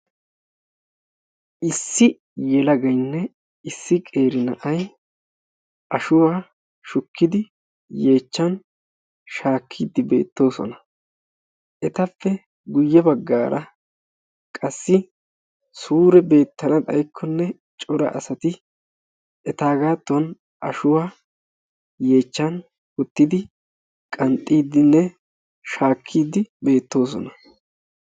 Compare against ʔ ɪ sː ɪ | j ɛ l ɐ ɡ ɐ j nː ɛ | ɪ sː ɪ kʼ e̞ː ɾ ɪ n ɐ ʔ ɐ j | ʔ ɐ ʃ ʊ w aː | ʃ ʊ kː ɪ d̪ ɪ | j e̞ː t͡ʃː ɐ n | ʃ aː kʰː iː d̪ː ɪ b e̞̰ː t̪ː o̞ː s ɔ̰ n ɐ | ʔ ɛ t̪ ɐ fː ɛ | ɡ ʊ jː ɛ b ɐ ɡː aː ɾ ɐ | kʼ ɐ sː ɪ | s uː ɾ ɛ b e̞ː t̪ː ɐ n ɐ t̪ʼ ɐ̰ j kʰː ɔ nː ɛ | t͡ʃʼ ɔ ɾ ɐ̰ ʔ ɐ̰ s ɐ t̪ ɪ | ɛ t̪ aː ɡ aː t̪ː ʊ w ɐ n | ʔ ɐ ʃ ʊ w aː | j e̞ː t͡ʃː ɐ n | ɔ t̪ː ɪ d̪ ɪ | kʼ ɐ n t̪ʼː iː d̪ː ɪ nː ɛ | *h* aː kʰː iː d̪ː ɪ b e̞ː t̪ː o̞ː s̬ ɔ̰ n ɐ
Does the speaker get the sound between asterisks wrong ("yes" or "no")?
yes